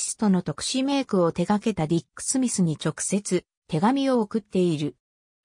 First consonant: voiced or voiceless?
voiceless